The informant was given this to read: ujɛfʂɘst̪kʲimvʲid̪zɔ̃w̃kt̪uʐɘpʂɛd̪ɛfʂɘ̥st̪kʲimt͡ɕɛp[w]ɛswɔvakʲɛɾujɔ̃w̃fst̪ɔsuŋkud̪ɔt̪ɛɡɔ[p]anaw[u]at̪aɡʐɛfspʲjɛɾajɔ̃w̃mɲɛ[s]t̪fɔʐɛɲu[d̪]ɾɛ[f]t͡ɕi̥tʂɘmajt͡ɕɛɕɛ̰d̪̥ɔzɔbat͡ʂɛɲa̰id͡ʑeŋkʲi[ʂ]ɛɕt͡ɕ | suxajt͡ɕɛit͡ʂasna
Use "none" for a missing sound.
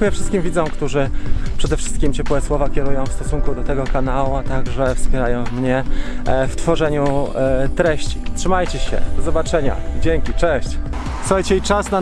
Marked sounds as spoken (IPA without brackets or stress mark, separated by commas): w, k, u, f, t̪, ɕ, t͡ʂ